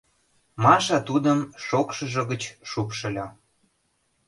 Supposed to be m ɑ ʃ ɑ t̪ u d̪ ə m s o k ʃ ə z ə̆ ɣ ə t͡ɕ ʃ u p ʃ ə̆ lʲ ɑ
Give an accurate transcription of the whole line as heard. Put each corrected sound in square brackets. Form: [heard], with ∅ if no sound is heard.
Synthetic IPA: m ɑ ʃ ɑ t̪ u d̪ ə m [ʃ] o k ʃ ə [ʒ] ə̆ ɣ ə t͡ɕ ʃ u p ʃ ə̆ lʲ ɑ